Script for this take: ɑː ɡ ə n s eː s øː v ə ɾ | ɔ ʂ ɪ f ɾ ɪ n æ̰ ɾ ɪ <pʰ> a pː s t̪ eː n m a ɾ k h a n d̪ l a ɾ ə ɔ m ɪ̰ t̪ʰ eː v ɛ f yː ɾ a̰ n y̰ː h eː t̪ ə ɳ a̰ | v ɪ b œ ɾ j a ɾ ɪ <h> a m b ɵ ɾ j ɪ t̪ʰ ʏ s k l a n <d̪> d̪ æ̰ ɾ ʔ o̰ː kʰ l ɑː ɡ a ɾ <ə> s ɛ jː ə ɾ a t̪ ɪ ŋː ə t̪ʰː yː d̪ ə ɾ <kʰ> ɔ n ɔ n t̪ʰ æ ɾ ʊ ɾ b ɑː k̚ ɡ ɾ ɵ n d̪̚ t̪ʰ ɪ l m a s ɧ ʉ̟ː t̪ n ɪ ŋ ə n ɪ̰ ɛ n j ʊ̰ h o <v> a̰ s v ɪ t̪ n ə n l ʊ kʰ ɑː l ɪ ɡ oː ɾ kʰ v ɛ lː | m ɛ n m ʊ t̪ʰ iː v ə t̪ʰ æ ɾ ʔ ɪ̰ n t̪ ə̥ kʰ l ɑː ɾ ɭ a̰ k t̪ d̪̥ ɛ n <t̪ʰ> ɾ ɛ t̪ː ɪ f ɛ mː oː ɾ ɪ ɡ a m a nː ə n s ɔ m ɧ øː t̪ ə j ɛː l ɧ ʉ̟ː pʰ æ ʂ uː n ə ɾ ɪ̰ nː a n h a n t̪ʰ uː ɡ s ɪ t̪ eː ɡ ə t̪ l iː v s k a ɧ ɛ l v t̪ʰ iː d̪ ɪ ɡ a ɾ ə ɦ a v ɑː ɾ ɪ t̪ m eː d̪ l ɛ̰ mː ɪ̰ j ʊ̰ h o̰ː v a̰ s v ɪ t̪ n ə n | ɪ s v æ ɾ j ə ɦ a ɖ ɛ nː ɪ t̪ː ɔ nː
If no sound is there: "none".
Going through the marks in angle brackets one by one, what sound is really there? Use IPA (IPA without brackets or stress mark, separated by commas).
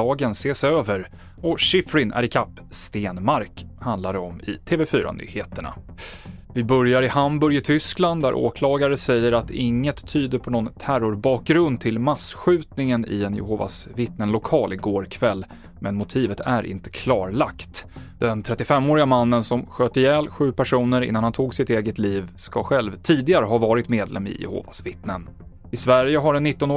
kʰ, h, d̪, ə, pʰ, v, t̪ʰ